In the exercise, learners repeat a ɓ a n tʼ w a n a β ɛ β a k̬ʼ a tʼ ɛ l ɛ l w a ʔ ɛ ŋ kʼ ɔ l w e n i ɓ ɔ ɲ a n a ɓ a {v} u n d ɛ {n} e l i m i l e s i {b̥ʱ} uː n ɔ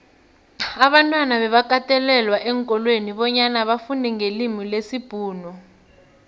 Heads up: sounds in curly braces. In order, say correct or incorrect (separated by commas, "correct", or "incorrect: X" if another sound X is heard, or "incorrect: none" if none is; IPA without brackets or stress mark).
incorrect: f, incorrect: ŋ, correct